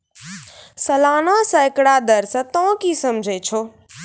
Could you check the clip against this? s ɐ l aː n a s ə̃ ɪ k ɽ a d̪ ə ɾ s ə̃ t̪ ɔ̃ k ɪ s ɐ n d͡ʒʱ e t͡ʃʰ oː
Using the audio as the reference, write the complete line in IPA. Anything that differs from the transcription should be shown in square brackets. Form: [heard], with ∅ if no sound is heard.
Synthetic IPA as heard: s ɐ l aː n a s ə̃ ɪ k ɽ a d̪ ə ɾ s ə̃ t̪ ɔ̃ k [i] s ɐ [m] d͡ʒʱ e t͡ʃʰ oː